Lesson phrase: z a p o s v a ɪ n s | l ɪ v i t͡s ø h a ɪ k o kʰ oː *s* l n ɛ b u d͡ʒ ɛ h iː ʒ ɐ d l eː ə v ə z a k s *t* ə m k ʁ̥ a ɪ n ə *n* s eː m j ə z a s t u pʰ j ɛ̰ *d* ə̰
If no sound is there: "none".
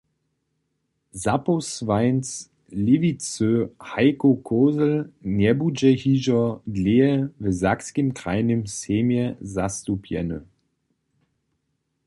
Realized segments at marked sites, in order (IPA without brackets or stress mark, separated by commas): z, k, m, n